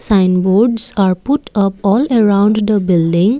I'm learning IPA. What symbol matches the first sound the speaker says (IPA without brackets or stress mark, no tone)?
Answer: s